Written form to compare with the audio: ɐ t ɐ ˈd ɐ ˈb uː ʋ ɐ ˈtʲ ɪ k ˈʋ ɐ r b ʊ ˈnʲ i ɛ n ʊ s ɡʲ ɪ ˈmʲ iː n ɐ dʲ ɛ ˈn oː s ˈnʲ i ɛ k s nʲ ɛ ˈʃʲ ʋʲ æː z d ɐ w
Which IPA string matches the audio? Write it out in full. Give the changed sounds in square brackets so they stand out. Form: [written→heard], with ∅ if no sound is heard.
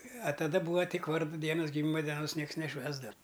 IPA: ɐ t ɐ ˈd ɐ ˈb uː ʋ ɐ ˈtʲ ɪ k ˈʋ ɐ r [b→d] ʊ [ˈnʲ→ˈdʲ] i ɛ n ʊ s ɡʲ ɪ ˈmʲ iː [n→m] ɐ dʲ ɛ ˈn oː s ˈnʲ i ɛ k s nʲ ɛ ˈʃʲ ʋʲ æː z d ɐ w